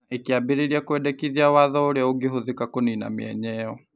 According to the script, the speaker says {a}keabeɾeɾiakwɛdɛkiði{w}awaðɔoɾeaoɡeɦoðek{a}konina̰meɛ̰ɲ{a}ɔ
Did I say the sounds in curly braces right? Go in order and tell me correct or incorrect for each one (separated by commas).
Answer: incorrect, incorrect, correct, incorrect